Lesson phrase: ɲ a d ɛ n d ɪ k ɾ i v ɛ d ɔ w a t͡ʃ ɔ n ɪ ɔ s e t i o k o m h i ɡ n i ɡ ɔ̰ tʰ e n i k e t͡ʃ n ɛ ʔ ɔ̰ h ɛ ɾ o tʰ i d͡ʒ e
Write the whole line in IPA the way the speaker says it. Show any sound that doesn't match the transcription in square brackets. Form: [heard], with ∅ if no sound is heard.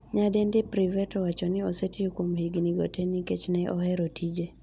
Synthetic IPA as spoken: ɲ a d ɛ n d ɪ [p] ɾ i v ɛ [t] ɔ w a t͡ʃ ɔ n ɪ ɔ s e t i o k o m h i ɡ n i ɡ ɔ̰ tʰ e n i k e t͡ʃ n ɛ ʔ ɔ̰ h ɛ ɾ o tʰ i d͡ʒ e